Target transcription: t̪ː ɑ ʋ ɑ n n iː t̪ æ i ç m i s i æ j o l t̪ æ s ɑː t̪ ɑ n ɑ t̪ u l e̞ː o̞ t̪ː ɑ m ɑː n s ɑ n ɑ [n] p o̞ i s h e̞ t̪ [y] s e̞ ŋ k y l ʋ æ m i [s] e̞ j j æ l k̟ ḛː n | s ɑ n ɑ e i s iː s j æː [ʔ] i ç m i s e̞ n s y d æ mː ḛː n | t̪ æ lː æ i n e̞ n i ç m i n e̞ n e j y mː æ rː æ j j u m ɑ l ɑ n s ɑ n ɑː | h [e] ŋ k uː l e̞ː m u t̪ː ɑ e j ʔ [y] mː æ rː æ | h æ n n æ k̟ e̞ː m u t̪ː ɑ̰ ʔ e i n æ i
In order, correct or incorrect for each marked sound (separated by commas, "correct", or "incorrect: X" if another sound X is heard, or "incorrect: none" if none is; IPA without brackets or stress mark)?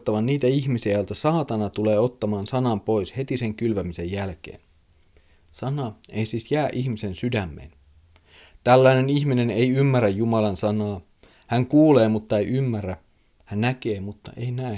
incorrect: m, incorrect: i, correct, correct, incorrect: æ, correct